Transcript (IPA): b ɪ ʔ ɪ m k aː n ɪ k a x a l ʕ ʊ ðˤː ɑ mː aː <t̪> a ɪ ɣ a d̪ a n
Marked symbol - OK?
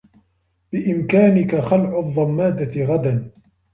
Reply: no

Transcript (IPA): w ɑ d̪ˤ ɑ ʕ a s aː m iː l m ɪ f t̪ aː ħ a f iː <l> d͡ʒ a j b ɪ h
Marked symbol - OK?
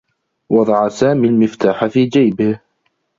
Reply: no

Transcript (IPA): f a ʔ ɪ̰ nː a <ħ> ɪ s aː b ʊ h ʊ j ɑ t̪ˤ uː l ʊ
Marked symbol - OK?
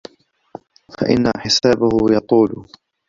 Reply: yes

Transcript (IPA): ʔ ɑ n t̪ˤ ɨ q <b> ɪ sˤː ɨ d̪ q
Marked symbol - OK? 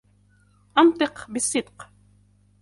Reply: yes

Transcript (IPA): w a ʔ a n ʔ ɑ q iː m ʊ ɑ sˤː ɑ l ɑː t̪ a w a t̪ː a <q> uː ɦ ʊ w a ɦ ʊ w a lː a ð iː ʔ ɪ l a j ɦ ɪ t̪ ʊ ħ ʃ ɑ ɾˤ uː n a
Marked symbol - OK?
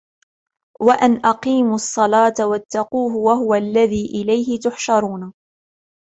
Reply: yes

